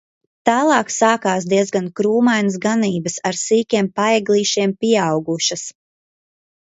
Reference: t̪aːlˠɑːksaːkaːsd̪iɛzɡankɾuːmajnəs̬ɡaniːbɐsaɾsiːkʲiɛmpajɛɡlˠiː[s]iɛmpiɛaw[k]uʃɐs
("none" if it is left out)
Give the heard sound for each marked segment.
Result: ʃ, ɡ

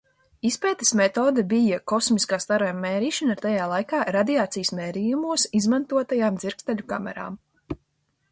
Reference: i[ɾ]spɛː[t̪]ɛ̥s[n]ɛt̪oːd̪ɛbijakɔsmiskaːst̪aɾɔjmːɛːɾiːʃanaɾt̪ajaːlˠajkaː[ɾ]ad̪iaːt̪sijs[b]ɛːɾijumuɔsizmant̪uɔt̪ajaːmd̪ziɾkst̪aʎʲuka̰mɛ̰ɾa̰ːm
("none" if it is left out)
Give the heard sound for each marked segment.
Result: none, t̪, m, ɾ, m

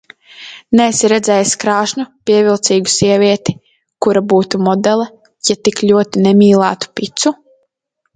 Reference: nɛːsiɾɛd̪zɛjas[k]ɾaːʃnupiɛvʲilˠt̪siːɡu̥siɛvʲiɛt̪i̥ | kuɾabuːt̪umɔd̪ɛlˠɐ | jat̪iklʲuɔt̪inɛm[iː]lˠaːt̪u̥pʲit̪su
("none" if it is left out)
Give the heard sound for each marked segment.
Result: k, iː

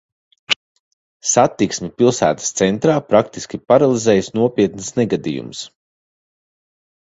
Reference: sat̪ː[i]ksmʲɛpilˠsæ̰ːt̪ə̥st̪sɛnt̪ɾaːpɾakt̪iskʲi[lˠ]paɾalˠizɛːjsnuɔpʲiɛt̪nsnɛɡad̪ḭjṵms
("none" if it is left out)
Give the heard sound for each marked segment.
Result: i, none

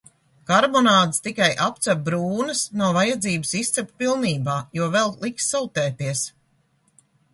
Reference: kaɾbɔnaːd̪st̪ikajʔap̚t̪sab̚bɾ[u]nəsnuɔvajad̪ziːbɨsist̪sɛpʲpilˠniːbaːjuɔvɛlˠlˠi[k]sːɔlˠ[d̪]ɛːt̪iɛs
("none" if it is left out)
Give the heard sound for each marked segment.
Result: uː, k, t̪

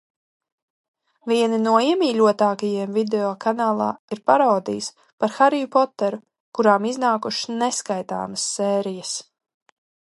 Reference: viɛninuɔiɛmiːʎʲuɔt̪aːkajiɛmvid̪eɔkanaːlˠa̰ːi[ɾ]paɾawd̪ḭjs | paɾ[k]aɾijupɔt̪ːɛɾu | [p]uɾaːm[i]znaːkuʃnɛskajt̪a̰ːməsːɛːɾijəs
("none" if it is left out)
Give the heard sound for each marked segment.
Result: ɾ, x, k, i

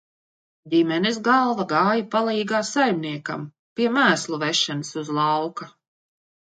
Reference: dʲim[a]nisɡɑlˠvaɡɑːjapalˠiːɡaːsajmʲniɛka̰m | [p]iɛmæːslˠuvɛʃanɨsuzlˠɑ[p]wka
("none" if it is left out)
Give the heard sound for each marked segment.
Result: ɛ, p, none

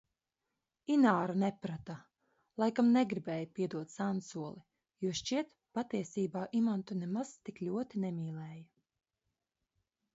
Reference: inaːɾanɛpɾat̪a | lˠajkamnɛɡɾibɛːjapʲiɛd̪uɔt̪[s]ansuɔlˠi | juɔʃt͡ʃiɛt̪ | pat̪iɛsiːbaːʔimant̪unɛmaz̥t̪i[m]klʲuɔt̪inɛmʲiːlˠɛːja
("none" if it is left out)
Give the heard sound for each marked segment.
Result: s, none

